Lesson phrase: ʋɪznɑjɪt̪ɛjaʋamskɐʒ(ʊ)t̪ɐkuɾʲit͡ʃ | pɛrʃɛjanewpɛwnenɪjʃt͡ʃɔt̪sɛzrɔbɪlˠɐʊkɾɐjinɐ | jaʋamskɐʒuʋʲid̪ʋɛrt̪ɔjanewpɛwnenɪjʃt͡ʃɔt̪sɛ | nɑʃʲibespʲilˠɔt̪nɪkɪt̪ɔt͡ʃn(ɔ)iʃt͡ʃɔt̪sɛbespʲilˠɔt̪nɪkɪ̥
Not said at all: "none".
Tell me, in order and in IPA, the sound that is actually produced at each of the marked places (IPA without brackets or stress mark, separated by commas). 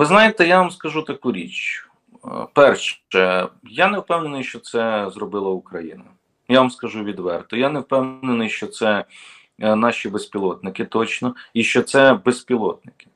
u, ɔ